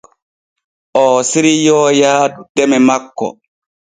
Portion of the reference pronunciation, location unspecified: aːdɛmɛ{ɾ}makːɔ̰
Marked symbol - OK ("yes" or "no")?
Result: no